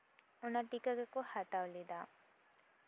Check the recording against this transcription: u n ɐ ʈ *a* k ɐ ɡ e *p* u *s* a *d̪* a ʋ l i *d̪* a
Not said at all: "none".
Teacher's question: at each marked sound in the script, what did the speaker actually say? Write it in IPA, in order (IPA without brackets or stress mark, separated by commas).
i, k, h, t̪, d̪